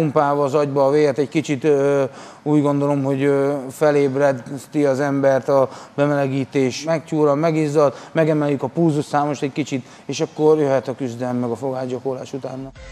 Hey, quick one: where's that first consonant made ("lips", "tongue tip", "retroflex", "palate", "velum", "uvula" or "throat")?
lips